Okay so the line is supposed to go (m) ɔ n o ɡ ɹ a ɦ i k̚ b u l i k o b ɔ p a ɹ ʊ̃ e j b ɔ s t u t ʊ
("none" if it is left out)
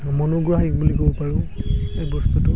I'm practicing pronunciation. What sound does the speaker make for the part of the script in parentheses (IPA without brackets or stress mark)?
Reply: m